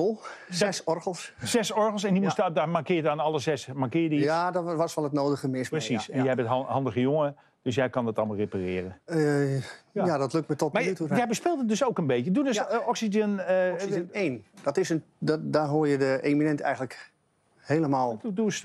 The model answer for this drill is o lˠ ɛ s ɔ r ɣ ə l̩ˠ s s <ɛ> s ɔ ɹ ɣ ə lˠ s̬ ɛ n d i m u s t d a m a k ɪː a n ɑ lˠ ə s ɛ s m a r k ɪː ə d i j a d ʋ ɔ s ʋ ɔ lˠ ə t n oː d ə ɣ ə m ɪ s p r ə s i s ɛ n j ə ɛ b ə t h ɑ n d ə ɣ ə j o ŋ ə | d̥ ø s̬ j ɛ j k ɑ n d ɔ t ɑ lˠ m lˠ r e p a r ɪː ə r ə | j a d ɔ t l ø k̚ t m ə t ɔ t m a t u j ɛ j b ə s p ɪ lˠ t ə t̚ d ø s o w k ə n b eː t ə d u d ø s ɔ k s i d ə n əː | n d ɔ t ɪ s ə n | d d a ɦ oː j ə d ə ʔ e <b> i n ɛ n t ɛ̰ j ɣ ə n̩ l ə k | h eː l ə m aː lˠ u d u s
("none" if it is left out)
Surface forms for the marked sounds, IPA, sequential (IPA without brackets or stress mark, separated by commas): ɛ, m